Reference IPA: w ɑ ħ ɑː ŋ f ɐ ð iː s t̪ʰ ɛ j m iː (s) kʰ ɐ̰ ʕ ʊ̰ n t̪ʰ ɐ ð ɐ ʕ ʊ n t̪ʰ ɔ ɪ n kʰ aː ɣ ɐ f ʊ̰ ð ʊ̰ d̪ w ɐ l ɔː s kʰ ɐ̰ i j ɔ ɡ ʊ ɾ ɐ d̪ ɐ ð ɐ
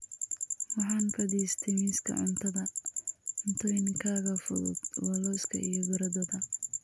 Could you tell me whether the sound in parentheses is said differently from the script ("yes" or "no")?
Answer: no